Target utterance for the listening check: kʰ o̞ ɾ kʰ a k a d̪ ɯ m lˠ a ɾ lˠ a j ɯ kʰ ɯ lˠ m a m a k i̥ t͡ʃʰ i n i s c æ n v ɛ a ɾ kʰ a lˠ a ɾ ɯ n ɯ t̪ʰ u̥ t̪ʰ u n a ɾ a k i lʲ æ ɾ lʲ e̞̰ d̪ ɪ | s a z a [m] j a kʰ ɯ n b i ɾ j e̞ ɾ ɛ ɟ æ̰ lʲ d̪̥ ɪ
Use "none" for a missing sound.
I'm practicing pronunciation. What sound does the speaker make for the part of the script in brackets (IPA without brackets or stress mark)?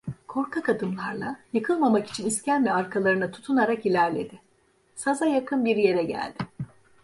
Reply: none